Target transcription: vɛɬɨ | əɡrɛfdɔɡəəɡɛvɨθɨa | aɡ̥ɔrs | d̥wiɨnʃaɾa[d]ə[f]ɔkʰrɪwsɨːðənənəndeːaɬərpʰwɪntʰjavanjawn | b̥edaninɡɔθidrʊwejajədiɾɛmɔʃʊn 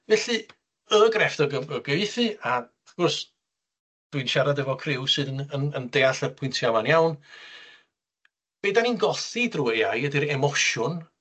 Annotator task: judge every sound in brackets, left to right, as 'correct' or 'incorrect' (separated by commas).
correct, incorrect